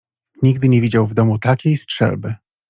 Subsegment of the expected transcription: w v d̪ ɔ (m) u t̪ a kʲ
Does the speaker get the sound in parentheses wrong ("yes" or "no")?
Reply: no